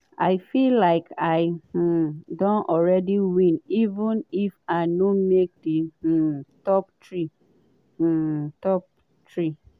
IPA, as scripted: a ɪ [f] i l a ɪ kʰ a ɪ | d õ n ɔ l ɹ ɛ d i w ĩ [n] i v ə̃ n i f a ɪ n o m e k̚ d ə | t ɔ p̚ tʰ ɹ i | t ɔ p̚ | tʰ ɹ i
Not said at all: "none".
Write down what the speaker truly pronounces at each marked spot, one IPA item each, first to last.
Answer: f, n

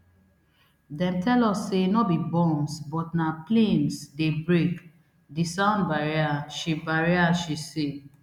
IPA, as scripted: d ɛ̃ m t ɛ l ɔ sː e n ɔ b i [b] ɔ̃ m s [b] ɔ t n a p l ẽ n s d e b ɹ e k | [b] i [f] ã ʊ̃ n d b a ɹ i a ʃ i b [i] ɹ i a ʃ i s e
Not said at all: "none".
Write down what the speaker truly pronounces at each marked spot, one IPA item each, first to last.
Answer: b, b, d, s, a

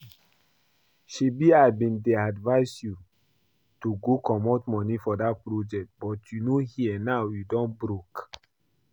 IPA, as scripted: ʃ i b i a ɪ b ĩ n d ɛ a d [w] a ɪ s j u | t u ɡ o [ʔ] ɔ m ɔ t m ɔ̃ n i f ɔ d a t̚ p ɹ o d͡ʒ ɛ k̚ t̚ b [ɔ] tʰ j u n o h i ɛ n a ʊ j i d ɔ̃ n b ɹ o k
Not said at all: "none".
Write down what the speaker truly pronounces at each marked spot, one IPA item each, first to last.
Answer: v, k, ɔ

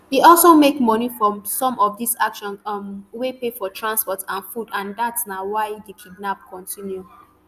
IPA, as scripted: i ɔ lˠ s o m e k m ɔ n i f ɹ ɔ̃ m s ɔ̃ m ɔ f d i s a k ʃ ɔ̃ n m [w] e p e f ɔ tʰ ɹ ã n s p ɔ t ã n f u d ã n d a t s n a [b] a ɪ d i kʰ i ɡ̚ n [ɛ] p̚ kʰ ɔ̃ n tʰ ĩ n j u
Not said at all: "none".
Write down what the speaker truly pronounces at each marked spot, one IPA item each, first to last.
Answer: w, w, a

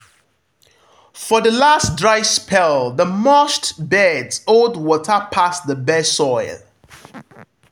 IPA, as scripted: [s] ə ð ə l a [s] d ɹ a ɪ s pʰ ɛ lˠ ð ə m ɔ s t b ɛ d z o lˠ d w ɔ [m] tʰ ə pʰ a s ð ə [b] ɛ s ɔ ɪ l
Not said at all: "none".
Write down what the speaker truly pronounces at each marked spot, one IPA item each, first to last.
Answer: f, s, none, b

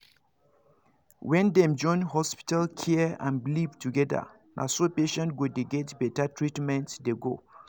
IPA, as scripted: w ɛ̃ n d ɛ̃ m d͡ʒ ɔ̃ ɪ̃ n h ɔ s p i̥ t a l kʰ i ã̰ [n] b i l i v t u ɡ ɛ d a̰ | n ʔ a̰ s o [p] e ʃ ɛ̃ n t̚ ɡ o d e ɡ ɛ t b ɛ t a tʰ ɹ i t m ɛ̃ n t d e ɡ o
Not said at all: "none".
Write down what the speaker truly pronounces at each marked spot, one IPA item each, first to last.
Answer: n, p

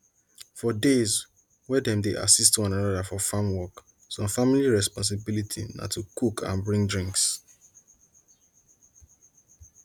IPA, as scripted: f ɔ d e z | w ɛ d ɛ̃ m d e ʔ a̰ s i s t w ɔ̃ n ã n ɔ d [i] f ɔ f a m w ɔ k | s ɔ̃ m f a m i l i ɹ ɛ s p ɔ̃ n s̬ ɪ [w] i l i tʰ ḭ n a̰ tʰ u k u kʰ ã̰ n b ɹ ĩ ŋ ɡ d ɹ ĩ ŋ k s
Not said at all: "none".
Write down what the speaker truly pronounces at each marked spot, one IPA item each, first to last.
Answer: a, b

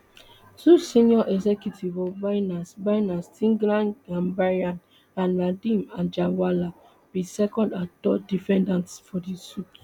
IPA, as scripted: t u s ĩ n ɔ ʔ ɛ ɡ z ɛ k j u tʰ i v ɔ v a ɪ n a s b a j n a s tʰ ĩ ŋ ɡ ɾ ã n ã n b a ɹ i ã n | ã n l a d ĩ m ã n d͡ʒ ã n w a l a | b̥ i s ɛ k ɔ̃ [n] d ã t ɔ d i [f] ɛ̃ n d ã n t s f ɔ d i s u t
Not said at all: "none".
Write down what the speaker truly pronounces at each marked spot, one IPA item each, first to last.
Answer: n, f

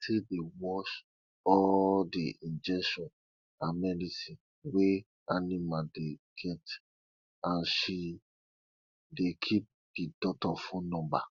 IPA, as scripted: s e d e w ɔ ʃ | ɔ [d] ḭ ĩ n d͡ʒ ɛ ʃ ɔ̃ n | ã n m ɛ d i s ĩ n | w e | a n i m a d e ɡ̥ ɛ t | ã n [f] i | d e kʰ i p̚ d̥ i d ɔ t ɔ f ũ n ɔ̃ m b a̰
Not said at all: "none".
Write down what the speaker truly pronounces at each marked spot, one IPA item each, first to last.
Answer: d, ʃ

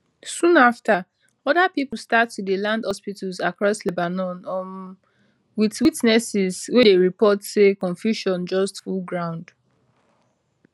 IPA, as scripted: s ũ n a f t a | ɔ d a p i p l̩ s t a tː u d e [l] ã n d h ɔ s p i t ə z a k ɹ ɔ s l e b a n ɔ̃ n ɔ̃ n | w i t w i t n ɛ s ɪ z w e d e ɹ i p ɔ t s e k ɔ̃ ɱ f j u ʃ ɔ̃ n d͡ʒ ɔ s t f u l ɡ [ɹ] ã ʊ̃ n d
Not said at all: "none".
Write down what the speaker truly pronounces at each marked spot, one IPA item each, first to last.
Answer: l, ɹ

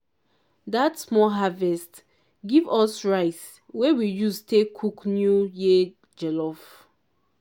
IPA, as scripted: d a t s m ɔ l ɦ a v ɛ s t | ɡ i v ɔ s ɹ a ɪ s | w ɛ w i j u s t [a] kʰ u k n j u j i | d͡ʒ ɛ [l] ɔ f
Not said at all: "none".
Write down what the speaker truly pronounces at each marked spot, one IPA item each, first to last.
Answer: e, l

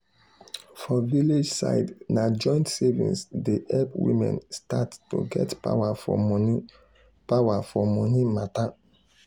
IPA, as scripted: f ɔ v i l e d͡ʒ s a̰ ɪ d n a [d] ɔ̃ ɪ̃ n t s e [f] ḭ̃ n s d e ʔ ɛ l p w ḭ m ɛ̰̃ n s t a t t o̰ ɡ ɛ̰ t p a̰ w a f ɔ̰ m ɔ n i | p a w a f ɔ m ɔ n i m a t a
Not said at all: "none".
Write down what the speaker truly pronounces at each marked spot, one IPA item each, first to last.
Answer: d͡ʒ, v

